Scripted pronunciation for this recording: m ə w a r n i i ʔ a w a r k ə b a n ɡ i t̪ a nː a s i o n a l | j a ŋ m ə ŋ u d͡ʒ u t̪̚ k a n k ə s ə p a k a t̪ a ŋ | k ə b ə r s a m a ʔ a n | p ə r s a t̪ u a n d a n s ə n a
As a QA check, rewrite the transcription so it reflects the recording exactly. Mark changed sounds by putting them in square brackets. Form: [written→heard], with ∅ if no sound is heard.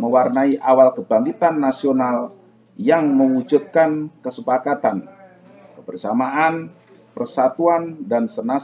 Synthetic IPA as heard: m ə w a r n [i→a] i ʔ a w a [r→l] k ə b a [n→ŋ] ɡ i t̪ a nː a s i o n a l | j a ŋ m ə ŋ u d͡ʒ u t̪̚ k a n k ə s ə p a k a t̪ a [ŋ→n] | k ə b ə r s a m a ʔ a n | p ə r s a t̪ u a n d a n s ə n a

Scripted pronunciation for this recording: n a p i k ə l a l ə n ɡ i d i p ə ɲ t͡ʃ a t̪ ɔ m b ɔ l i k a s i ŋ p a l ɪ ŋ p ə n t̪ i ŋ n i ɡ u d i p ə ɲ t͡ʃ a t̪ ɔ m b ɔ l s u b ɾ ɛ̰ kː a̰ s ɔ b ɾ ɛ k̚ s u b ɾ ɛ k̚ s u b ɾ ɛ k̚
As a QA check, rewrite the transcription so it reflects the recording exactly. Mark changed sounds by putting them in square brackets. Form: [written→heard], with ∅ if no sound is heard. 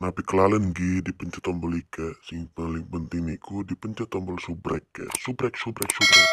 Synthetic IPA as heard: n a p i k ə l a l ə n ɡ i d i p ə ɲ t͡ʃ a t̪ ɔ m b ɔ l i k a s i ŋ p a l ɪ ŋ p ə n t̪ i ŋ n i [ɡ→k] u d i p ə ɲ t͡ʃ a t̪ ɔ m b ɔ l s u b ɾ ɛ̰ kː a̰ s [ɔ→u] b ɾ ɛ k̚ s u b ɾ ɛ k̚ s u b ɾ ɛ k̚

